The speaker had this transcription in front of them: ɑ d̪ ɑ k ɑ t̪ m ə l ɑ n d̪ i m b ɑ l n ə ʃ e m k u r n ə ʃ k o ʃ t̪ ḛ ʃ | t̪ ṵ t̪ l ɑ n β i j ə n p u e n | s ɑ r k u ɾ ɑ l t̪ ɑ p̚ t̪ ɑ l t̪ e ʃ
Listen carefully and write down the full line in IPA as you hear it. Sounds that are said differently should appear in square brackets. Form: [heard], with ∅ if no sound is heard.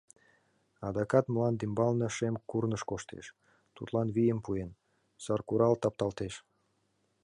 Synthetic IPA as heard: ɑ d̪ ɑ k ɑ t̪ m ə l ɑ n d̪ i m b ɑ l n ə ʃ e m k u r n ə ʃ k o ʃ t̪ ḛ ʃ | t̪ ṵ t̪ l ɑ n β i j ə [m] p u e n | s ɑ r k u ɾ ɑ l t̪ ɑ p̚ t̪ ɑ l t̪ e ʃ